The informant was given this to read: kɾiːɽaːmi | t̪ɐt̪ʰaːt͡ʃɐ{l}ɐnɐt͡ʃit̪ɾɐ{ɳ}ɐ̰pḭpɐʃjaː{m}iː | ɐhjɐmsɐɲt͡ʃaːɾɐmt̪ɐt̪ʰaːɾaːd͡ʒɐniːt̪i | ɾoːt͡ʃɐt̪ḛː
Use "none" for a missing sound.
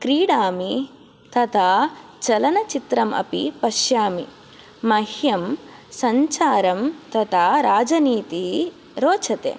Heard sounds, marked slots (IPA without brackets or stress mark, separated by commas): l, m, m